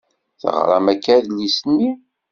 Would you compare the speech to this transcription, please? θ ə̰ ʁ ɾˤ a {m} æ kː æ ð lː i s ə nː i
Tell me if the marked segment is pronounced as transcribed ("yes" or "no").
yes